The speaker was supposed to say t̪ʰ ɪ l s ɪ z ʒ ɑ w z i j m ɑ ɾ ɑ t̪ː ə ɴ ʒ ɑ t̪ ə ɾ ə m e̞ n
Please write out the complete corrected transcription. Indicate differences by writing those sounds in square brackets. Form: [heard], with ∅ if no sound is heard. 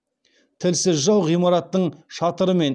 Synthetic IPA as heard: t̪ʰ ɪ l s ɪ z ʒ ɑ w [ʁ] i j m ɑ ɾ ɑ t̪ː ə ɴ [ʃ] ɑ t̪ ə ɾ ə m e̞ n